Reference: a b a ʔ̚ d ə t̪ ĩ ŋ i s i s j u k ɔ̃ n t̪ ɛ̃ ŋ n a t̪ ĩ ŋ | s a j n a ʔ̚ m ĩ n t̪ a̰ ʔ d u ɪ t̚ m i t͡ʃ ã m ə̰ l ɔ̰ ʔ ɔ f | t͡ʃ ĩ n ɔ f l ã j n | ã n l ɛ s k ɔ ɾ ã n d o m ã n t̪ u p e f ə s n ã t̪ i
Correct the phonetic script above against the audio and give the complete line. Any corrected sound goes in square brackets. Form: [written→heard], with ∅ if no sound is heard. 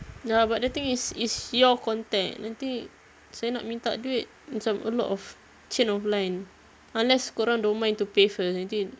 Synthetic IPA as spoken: a b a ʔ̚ d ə t̪ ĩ ŋ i s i s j [u→ɔ] k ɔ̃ n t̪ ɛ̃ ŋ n a t̪ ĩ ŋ | s a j n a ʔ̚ m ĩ n t̪ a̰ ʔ d u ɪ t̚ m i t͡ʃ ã m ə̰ l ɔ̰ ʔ ɔ f | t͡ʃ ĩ n ɔ f l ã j n | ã n l ɛ s k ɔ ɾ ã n d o m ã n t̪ u p e f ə s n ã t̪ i